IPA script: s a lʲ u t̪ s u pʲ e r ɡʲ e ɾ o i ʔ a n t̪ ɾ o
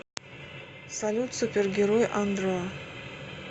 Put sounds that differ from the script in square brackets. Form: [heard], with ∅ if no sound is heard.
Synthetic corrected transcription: s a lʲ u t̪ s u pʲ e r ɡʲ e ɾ o [j] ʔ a n [d̪] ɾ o